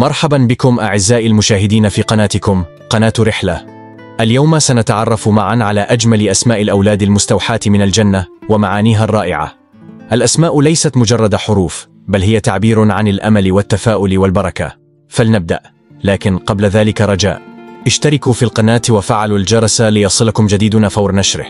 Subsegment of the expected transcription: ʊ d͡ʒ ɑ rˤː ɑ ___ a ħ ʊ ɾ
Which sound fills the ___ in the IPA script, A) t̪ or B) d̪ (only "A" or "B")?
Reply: B